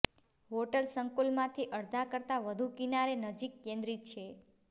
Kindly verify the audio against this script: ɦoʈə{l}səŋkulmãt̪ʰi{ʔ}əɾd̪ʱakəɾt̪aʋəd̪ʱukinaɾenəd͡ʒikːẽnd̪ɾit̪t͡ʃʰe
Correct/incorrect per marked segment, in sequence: correct, correct

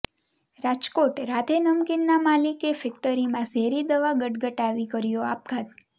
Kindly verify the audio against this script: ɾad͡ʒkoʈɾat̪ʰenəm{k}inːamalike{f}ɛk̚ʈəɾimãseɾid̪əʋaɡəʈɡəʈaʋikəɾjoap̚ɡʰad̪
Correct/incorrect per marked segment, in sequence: correct, correct

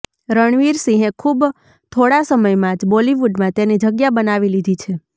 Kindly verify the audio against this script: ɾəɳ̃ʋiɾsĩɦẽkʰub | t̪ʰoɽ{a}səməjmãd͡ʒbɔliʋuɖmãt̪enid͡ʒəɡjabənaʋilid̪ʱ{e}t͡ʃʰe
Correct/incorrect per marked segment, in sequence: correct, incorrect: i

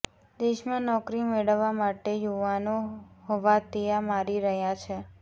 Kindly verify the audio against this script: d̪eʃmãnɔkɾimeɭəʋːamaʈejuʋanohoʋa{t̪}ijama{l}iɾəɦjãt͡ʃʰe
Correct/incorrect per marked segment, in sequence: correct, incorrect: ɾ

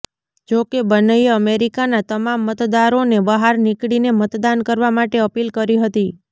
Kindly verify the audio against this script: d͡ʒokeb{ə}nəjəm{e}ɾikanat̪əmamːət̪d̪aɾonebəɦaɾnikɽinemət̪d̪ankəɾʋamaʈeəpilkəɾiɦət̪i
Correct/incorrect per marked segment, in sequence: correct, correct

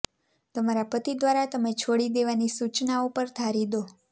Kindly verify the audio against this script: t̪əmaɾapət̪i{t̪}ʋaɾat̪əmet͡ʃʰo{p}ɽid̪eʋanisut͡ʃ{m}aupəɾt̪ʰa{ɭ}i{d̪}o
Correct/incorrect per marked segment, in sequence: incorrect: d̪, incorrect: none, incorrect: n, incorrect: ɾ, correct

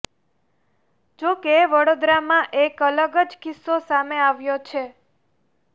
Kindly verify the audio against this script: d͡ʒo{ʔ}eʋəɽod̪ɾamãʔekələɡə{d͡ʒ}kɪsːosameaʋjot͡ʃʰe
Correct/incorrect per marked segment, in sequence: incorrect: k, correct

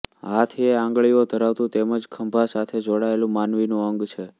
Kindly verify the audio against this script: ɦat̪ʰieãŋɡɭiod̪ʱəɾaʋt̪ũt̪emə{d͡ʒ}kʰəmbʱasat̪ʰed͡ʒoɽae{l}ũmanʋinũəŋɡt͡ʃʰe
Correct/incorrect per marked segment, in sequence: correct, correct

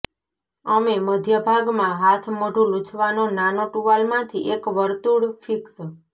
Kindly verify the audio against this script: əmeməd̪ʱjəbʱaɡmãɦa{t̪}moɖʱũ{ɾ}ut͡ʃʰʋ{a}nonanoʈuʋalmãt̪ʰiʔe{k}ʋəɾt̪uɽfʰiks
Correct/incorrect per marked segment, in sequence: incorrect: t̪ʰ, incorrect: l, correct, correct

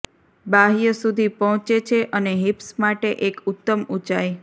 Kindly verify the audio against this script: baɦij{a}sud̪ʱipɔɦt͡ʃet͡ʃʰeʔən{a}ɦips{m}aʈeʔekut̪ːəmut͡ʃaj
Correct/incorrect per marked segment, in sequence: incorrect: ə, incorrect: e, correct

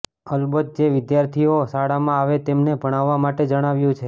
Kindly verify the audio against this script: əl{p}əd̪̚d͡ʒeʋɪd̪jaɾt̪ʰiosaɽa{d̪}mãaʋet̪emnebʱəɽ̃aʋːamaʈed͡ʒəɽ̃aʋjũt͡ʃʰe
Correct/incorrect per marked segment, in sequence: incorrect: b, incorrect: none

